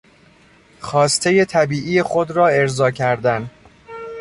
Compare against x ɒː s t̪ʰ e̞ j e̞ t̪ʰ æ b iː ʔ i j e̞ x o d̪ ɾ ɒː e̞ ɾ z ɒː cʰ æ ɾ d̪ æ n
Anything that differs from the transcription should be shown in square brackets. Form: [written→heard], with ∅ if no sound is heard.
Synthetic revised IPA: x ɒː s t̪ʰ e̞ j e̞ t̪ʰ æ b iː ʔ i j e̞ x o d̪ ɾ ɒː e̞ ɾ z ɒː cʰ æ ɾ d̪ æ n